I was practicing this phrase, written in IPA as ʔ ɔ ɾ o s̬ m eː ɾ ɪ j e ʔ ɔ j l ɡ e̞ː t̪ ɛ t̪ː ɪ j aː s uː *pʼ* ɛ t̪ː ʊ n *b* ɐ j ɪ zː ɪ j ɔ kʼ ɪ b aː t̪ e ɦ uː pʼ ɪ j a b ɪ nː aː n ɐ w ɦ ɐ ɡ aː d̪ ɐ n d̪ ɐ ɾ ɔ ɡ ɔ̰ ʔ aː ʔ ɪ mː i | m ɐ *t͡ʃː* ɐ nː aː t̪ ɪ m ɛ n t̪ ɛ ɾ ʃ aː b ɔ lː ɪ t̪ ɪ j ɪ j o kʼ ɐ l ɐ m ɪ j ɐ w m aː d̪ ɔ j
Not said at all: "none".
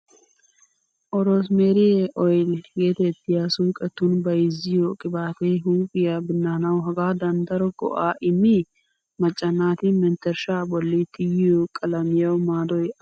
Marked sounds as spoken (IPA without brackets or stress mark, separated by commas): kʼ, b, t͡ʃʼː